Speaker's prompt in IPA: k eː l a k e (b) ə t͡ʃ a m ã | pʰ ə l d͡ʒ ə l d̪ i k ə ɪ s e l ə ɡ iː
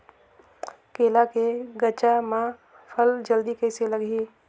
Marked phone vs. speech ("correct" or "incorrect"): incorrect